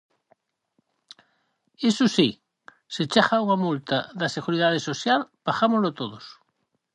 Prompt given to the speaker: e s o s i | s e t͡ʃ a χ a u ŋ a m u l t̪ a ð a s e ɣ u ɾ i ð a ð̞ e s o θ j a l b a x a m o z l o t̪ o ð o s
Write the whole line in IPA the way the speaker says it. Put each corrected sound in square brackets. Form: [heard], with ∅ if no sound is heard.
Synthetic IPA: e s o s i | s e t͡ʃ a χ a u ŋ a m u l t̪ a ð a s e ɣ u ɾ i ð a ð̞ e s o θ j a l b a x a m o z l o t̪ o ð o s